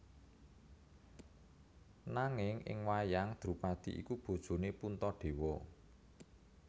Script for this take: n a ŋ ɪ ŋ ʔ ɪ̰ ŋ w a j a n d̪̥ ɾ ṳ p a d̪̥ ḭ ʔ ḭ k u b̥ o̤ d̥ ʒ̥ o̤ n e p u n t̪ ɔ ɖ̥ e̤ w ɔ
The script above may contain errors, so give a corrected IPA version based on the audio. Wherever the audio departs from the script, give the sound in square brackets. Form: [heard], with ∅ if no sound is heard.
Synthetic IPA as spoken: n a ŋ ɪ ŋ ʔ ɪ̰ ŋ w a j a [ŋ] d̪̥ ɾ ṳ p a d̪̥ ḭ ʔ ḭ k u b̥ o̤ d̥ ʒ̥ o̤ n e p u n t̪ ɔ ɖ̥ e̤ w ɔ